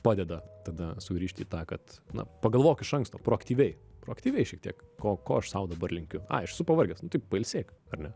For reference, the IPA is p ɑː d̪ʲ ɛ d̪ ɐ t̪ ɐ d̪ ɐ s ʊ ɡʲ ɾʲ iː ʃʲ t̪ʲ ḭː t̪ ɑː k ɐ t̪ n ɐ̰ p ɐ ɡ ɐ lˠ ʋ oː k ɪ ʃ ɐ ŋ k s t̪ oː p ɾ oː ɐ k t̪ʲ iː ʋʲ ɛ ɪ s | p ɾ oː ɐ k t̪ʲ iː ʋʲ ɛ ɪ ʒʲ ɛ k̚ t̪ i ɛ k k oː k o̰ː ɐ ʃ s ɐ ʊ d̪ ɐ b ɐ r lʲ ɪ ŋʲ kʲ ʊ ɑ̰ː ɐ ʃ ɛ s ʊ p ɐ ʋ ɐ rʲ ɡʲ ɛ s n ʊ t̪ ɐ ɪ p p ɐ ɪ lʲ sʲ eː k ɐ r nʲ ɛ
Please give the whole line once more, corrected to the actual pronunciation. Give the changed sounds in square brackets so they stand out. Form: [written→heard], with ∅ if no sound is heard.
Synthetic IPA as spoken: p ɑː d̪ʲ ɛ d̪ ɐ t̪ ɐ d̪ ɐ s ʊ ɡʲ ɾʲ iː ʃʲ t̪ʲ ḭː t̪ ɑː k ɐ t̪ n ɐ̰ p ɐ ɡ ɐ lˠ ʋ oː k ɪ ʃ ɐ ŋ k s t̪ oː p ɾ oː ɐ k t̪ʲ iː ʋʲ ɛ ɪ [s→∅] | p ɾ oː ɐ k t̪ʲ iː ʋʲ ɛ ɪ [ʒʲ→ʃʲ] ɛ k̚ t̪ i ɛ k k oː k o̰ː ɐ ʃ s ɐ ʊ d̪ ɐ b ɐ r lʲ ɪ ŋʲ kʲ ʊ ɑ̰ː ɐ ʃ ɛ s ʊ p ɐ ʋ ɐ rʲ ɡʲ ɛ s n ʊ t̪ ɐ ɪ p p ɐ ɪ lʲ sʲ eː k ɐ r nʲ ɛ